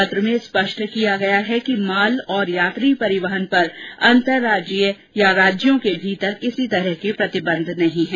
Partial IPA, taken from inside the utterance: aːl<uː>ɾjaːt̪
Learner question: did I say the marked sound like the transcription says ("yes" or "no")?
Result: no